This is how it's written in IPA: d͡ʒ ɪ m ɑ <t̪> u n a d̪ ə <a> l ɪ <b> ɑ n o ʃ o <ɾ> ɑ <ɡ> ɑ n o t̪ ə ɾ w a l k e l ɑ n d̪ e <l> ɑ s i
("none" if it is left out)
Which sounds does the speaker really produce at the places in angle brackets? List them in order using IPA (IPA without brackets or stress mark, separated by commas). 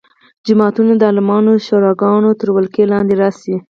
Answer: t̪, ɑ, m, ɾ, ɡ, ɾ